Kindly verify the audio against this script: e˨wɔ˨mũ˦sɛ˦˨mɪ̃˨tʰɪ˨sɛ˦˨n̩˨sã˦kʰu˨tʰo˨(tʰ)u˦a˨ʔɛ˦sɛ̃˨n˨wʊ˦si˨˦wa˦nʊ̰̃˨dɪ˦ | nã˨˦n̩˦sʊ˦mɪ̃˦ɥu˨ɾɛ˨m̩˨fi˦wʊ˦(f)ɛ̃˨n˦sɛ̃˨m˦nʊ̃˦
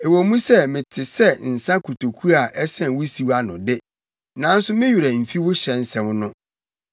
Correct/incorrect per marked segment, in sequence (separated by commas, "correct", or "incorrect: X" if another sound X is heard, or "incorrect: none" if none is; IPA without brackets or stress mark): incorrect: kʰ, incorrect: ɕ